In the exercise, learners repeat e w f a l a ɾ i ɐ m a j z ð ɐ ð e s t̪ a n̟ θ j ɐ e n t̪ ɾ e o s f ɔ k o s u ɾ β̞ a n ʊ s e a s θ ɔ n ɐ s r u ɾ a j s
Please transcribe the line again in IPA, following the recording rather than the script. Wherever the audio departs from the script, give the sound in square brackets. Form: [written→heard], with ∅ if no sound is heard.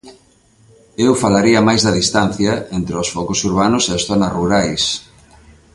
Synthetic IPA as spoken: e w f a l a ɾ i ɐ m a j z ð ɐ ð [e→i] s t̪ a n̟ θ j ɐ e n t̪ ɾ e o s f ɔ k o s u ɾ β̞ a n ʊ s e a s θ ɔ n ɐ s r u ɾ a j s